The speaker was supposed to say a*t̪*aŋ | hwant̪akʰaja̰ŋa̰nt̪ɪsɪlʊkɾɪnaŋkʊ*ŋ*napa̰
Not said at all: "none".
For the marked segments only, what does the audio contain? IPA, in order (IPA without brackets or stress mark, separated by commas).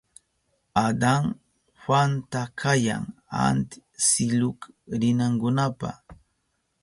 d̪, none